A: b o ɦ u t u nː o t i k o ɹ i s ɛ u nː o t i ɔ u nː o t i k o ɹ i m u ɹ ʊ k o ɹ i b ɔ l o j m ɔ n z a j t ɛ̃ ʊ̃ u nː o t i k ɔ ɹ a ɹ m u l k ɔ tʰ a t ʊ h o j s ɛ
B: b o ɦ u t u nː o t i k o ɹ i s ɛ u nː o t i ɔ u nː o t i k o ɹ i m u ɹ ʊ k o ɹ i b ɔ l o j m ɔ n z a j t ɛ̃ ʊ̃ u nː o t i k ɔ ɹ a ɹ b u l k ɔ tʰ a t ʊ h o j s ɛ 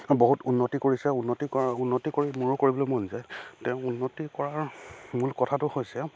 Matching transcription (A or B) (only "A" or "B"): A